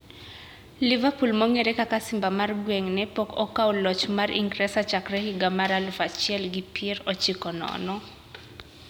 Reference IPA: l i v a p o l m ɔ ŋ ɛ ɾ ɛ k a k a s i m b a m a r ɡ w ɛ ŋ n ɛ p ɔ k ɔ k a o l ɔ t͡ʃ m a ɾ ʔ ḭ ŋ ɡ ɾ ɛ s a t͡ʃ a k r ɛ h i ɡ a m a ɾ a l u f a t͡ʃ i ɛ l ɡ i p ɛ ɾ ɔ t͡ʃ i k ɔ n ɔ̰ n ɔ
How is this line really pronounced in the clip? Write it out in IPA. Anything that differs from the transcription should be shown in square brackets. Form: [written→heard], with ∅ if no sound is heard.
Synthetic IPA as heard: l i v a p [o→u] l m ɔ ŋ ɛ ɾ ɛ k a k a s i m b a m a r ɡ w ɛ ŋ n ɛ p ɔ k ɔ k a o l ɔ t͡ʃ m a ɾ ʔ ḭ ŋ ɡ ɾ ɛ s a t͡ʃ a k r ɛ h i ɡ a m a ɾ a l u f a t͡ʃ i ɛ l ɡ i p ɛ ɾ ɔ t͡ʃ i k ɔ n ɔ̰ n ɔ